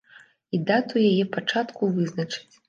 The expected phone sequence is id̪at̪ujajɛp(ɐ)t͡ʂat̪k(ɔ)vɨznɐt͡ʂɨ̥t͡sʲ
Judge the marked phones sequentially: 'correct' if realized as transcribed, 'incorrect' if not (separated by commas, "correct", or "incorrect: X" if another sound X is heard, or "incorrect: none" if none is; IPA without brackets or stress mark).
incorrect: a, incorrect: u